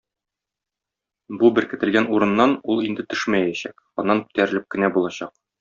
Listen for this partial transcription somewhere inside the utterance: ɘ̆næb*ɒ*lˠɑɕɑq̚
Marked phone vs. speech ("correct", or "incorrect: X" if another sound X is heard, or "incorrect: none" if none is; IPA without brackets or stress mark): incorrect: u